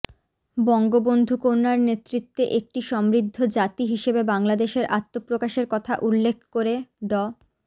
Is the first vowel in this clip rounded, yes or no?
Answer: yes